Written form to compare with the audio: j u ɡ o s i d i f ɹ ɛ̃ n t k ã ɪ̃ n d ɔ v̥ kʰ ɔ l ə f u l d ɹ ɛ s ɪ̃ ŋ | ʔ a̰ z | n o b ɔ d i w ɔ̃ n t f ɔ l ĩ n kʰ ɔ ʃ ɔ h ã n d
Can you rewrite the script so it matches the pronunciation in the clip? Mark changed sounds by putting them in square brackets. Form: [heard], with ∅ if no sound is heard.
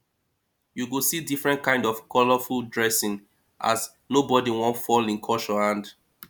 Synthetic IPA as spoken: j u ɡ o s i d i f ɹ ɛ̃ n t k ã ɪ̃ n d ɔ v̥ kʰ ɔ l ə f u l d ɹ ɛ s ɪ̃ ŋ | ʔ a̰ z | n o b ɔ d i w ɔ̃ n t f ɔ l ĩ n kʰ ɔ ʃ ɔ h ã n d